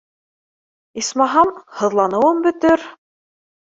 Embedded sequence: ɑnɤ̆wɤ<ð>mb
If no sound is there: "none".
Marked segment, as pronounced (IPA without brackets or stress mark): none